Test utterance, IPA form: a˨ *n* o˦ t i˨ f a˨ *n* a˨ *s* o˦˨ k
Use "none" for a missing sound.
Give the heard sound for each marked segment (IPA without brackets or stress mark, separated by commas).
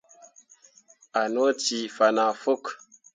n, n, f